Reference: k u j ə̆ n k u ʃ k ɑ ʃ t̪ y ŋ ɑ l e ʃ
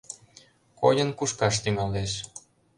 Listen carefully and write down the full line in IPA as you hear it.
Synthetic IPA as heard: k o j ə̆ n k u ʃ k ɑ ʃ t̪ y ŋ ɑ l e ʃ